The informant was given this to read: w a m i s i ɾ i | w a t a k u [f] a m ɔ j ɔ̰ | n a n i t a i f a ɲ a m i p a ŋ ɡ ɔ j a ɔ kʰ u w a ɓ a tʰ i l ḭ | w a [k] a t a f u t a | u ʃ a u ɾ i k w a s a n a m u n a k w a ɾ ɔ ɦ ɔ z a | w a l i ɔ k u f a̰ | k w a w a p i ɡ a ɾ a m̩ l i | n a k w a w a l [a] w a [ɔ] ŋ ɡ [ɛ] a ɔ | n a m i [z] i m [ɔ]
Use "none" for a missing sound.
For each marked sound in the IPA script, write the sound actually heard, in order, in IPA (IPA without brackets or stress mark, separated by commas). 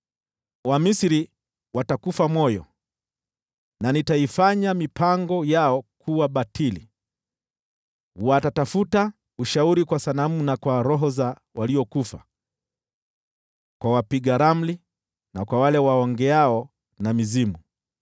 f, t, ɛ, ɔ, ɛ, z, u